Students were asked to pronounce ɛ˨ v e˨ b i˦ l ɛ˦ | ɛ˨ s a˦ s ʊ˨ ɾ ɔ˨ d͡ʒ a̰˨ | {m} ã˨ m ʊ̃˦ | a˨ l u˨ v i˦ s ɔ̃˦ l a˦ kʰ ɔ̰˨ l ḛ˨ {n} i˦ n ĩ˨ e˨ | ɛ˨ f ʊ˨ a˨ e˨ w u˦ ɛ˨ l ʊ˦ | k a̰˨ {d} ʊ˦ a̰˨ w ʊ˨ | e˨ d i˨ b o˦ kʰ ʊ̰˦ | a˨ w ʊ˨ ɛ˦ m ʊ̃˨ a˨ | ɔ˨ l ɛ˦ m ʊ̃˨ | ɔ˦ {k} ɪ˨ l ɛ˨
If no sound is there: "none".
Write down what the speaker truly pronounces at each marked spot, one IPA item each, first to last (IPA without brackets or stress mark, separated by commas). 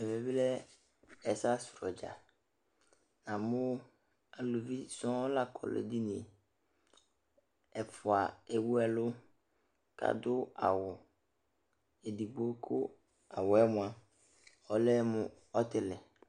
n, d, d, t